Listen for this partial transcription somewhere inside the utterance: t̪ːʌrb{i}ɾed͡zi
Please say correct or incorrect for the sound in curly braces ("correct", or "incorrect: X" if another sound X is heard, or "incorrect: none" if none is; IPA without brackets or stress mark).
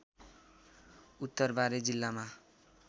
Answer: incorrect: a